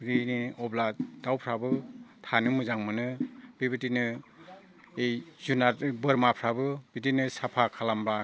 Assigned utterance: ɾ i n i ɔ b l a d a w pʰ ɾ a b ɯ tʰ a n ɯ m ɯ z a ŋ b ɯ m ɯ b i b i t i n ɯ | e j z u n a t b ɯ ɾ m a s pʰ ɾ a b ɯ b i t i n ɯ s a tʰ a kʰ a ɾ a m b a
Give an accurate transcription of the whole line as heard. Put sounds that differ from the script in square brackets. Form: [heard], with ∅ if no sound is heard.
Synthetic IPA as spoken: ɾ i n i ɔ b l a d a w pʰ ɾ a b ɯ tʰ a n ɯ m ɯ z a ŋ [m] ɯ [n] ɯ b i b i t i n ɯ | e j z u n a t b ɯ ɾ m a [∅] pʰ ɾ a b ɯ b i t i n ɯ s a [pʰ] a kʰ a [l] a m b a

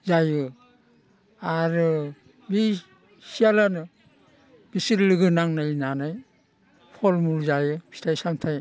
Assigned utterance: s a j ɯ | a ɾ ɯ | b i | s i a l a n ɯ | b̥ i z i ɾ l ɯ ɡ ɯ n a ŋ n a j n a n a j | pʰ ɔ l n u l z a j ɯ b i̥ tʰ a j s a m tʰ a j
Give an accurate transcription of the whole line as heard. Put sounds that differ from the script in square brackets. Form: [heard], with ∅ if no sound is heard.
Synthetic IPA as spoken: [z] a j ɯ | a ɾ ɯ | b i | s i a l a n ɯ | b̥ i [s] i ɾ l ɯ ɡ ɯ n a ŋ n a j n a n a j | pʰ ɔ l [m] u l z a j ɯ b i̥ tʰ a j s a m tʰ a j

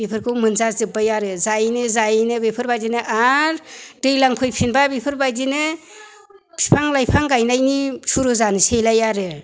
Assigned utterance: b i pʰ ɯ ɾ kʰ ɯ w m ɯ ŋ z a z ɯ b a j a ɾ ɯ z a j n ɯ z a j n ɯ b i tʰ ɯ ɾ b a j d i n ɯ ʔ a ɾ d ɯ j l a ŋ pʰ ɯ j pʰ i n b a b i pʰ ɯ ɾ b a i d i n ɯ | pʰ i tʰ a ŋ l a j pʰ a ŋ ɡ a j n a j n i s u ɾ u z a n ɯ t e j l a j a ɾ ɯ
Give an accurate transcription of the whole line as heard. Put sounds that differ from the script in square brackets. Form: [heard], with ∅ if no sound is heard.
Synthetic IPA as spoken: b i pʰ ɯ ɾ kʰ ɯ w m ɯ [n] z a z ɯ b a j a ɾ ɯ z a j n ɯ z a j n ɯ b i [pʰ] ɯ ɾ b a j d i n ɯ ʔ a ɾ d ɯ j l a ŋ pʰ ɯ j pʰ i n b a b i pʰ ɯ ɾ b a [j] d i n ɯ | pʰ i [pʰ] a ŋ l a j pʰ a ŋ ɡ a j n a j n i s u ɾ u z a n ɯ [s] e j l a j a ɾ ɯ

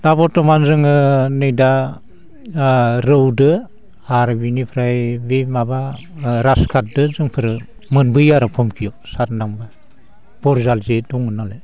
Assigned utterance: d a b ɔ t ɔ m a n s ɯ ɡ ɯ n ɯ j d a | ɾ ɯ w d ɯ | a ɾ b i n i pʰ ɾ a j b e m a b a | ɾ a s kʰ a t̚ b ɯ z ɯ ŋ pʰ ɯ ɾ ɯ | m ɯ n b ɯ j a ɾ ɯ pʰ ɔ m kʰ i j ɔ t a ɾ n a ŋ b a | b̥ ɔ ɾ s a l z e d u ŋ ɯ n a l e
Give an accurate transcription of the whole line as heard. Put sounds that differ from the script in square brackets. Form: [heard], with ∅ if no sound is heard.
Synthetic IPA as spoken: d a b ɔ t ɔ m a n [z] ɯ [ŋ] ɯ n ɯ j d a | ɾ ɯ w d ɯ | a ɾ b i n i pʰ ɾ a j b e m a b a | ɾ a s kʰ a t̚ [d] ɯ z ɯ ŋ pʰ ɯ ɾ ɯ | m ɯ n b ɯ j a ɾ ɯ pʰ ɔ m kʰ i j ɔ [s] a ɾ n a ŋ b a | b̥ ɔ ɾ [z] a l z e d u ŋ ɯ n a l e

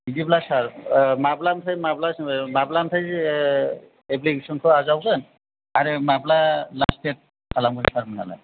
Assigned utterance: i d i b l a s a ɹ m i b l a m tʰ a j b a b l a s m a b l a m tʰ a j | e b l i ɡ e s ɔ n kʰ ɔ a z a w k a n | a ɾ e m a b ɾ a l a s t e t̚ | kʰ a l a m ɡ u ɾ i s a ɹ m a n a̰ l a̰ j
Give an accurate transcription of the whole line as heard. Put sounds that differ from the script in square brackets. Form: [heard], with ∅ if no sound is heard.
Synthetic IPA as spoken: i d i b l a s a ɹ m [a] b l a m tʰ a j [m] a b l a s m a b l a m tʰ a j | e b l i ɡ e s ɔ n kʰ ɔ a z a w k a n | a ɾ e m a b [l] a l a s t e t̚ | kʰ a l a m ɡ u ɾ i s a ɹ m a n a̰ l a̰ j

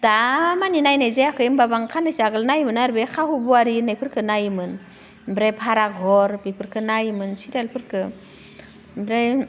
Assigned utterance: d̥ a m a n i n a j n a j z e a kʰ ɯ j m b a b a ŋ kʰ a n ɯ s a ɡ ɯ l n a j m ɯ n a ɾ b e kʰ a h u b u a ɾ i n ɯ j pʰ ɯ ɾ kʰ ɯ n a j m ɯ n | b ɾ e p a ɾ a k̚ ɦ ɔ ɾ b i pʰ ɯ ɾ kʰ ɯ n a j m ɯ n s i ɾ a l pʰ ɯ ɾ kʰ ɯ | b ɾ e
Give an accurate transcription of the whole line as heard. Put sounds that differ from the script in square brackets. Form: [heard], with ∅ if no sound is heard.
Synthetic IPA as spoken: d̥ a m a n i n a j n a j z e a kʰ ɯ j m b a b a ŋ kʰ a n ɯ s a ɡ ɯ l n a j m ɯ n a ɾ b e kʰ a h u b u a ɾ i n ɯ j pʰ ɯ ɾ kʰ ɯ n a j m ɯ n | b ɾ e [pʰ] a ɾ a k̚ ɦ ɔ ɾ b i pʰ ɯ ɾ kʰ ɯ n a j m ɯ n s i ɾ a l pʰ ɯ ɾ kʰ ɯ | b ɾ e

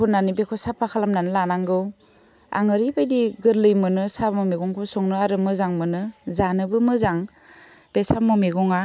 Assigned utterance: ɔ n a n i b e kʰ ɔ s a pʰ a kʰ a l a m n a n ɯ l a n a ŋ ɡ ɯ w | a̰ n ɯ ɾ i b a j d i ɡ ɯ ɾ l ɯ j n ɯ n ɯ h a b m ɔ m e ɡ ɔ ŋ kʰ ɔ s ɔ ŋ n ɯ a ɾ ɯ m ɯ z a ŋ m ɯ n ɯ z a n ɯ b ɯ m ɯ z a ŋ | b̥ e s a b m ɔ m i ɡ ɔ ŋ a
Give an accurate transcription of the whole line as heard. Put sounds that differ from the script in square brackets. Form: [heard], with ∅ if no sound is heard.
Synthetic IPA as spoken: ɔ n a n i b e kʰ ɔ s a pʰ a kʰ a l a m n a n ɯ l a n a ŋ ɡ ɯ w | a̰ [ŋ] ɯ ɾ i b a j d i ɡ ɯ ɾ l ɯ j [m] ɯ n ɯ [s] a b m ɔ m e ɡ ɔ ŋ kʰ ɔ s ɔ ŋ n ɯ a ɾ ɯ m ɯ z a ŋ m ɯ n ɯ z a n ɯ b ɯ m ɯ z a ŋ | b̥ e s a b m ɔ m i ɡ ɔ ŋ a

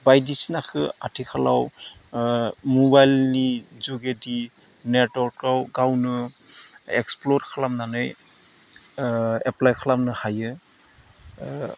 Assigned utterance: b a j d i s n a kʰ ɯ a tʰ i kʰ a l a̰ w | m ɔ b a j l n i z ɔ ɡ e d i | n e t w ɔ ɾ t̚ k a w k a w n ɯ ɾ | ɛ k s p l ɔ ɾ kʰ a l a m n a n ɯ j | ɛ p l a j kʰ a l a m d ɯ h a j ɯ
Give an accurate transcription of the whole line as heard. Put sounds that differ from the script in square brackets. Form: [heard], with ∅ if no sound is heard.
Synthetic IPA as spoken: b a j d i s n a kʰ ɯ a tʰ i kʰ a l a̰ w | m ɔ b a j l n i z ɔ ɡ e d i | n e t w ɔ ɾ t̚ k a w [ɡ] a w n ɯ [∅] | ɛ k s p l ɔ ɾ kʰ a l a m n a n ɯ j | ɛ p l a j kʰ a l a m [n] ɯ h a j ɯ

